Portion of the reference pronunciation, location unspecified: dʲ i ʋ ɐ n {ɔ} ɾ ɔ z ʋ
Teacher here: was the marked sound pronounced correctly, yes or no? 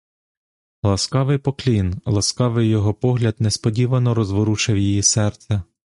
yes